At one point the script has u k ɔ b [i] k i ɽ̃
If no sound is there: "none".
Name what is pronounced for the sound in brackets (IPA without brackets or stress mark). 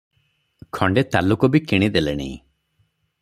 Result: i